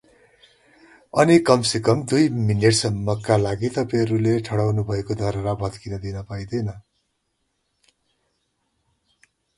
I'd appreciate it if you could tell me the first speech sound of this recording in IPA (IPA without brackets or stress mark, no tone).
ʌ